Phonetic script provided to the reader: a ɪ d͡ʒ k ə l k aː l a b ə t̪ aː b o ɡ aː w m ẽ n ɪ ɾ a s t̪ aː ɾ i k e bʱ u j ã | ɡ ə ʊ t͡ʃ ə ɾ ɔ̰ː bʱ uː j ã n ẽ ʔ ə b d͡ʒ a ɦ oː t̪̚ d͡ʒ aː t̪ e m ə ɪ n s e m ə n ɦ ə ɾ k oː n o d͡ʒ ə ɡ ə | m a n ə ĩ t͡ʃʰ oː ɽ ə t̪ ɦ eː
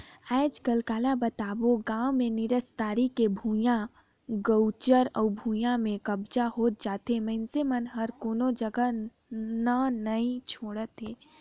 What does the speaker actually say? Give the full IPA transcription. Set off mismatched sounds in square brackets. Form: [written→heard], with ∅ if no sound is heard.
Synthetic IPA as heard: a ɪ d͡ʒ k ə l k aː l a b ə t̪ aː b o ɡ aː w m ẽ n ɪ ɾ [a→ə] s t̪ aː ɾ i k e bʱ u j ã | ɡ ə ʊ t͡ʃ ə ɾ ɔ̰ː bʱ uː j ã [n→m] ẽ [ʔ→k] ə b d͡ʒ a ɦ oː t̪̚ d͡ʒ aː t̪ e m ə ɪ n s e m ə n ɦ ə ɾ k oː n o d͡ʒ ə ɡ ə | [m→n] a n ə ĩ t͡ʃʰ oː ɽ ə t̪ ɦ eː